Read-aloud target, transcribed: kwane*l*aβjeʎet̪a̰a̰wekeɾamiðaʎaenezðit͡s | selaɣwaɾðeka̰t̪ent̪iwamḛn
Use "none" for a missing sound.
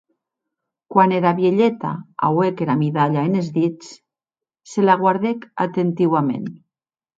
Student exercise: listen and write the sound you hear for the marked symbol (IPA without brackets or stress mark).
ɾ